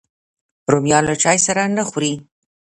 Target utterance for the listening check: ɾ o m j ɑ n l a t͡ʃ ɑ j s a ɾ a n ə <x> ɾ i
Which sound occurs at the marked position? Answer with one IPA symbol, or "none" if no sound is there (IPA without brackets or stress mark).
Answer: x